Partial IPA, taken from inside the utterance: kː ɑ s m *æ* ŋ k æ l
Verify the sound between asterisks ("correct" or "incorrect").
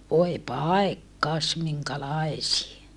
incorrect